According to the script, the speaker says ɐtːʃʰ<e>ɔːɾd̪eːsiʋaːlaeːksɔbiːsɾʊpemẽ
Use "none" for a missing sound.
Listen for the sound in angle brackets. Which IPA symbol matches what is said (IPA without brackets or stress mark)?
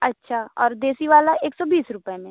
a